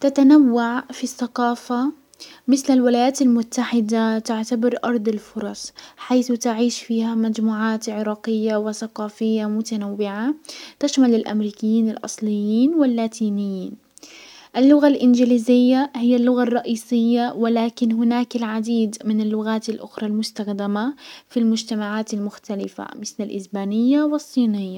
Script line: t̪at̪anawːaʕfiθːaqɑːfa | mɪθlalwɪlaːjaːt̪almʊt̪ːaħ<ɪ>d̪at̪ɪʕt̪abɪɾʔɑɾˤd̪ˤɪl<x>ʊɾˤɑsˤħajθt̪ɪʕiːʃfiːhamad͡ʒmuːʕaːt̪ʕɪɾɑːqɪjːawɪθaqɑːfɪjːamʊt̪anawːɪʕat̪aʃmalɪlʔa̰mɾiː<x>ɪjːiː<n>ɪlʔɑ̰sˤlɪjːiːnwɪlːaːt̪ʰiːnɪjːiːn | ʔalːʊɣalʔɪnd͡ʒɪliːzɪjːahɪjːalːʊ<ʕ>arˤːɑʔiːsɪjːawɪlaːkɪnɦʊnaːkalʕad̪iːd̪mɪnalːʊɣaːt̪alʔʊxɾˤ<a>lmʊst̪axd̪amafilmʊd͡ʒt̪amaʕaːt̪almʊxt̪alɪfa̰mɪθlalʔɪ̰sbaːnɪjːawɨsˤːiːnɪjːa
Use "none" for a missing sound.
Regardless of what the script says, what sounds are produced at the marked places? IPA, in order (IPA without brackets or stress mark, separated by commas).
ɪ, f, k, n, ɣ, ɑ